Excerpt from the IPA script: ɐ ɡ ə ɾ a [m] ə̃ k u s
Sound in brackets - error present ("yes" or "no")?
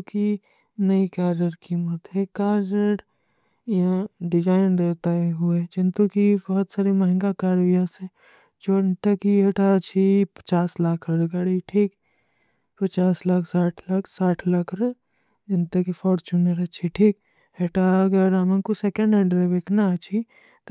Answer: no